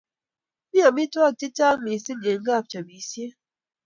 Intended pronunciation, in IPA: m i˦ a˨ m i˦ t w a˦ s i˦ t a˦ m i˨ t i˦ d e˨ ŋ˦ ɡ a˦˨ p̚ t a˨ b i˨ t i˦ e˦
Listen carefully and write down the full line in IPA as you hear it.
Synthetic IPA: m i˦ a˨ m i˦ t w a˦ t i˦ t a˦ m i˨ s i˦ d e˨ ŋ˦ ɡ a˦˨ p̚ t͡ʃ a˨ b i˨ s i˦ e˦